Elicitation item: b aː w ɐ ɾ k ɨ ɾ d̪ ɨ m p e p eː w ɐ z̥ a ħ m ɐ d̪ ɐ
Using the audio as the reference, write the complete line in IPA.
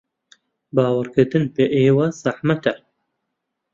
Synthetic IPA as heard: b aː w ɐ ɾ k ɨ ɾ d̪ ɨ n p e ʔ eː w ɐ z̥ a ħ m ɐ t̪ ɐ